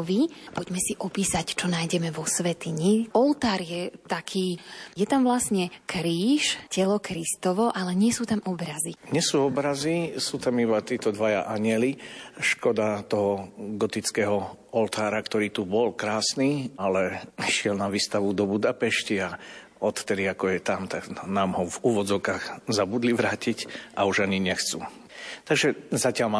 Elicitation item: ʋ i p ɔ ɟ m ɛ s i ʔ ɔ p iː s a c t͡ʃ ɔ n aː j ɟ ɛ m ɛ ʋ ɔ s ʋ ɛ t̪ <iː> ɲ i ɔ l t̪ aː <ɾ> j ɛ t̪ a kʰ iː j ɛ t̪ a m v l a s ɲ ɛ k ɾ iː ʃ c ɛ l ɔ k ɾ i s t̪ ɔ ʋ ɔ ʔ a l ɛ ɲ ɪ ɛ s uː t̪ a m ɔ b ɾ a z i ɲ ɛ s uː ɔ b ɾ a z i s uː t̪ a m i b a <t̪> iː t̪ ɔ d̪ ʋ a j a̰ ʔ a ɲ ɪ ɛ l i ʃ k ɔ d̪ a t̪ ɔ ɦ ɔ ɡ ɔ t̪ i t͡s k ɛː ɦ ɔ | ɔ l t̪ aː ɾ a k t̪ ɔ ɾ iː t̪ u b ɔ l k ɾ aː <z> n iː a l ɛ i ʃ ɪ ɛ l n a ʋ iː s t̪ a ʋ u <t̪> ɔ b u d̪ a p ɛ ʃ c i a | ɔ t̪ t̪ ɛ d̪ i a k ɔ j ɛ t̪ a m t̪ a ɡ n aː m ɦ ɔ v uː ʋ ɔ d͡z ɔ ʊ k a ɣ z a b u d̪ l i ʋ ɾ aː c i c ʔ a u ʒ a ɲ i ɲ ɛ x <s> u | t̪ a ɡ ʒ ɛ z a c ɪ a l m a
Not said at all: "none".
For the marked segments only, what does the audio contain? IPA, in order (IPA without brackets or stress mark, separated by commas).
i, ɾ, t̪, s, d̪, t͡s